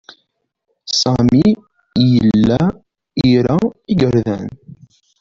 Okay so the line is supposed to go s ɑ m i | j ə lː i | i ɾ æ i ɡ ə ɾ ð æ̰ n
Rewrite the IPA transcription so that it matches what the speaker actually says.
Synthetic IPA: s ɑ m i | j ə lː æ | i ɾ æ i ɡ ə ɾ ð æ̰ n